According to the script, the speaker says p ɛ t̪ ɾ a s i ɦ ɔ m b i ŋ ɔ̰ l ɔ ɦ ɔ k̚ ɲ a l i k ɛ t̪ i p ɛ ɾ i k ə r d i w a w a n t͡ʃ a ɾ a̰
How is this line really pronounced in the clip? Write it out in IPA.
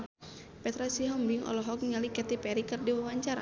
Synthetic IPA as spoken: p ɛ t̪ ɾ a s i ɦ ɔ m b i ŋ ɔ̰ l ɔ ɦ ɔ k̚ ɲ a l i k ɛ t̪ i p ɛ ɾ i k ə r d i w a w a ɲ t͡ʃ a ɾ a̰